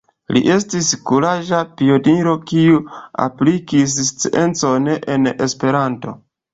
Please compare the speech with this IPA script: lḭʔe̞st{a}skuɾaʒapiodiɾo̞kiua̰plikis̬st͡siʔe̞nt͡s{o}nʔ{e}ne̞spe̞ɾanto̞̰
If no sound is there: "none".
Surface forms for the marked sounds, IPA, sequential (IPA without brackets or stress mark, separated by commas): i, o, e